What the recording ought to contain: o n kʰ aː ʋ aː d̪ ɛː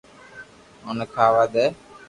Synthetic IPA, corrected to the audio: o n kʰ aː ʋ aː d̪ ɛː